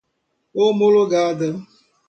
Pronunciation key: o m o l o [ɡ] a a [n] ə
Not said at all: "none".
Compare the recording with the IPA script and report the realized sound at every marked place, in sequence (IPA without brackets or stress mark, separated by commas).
ɡ, d